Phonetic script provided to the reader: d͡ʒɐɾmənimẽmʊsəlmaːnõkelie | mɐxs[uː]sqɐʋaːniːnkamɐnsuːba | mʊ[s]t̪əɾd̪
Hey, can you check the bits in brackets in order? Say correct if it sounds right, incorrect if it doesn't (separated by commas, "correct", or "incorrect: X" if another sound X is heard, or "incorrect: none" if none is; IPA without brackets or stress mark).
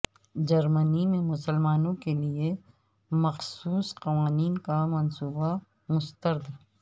correct, correct